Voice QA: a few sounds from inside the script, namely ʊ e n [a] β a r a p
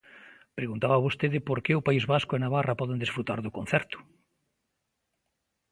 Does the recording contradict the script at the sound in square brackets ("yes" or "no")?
no